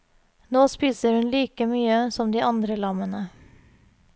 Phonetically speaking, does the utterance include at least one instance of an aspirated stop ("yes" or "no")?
no